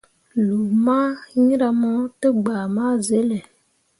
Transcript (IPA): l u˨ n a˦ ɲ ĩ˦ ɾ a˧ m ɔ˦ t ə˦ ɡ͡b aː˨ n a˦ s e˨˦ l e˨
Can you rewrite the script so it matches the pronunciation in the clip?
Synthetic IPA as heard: l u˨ m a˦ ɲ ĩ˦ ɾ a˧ m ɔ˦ t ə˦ ɡ͡b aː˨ m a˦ z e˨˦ l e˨